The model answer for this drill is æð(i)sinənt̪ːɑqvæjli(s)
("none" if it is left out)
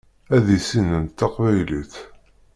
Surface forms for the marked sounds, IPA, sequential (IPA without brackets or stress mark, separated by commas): i, θ